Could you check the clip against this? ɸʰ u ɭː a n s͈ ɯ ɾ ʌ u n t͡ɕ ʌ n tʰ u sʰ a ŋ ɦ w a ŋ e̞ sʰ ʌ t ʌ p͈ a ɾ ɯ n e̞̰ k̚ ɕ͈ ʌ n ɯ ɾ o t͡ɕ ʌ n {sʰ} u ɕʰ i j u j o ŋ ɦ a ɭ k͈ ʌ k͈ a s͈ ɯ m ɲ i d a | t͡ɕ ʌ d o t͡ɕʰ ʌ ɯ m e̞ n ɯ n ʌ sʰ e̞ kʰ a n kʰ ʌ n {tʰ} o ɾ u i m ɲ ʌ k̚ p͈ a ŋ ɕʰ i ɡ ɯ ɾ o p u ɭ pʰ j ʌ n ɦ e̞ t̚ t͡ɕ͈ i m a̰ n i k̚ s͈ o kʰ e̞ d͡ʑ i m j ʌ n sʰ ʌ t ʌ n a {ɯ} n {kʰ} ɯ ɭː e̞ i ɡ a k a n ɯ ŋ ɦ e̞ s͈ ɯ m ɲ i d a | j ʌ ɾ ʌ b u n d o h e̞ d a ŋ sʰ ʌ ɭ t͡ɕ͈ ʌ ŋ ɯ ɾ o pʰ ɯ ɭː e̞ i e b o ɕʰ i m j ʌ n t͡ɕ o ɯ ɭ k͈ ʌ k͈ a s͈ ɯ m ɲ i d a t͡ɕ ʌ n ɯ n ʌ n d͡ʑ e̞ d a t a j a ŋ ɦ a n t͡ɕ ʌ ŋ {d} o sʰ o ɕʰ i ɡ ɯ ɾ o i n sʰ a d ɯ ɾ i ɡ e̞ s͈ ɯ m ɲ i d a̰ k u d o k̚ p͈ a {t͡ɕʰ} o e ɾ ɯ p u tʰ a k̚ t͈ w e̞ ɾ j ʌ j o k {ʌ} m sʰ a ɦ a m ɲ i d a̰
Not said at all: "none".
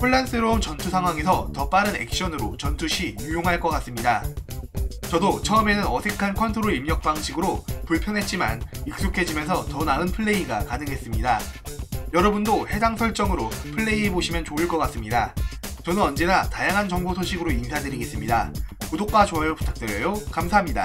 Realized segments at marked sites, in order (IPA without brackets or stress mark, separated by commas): tʰ, tʰ, ɯ, pʰ, b, t͡ɕ, a